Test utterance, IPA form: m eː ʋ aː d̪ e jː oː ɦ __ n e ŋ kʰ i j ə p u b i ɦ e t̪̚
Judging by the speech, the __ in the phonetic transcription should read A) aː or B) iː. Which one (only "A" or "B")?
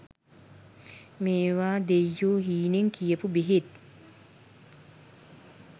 B